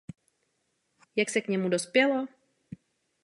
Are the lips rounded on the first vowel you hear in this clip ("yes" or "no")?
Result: no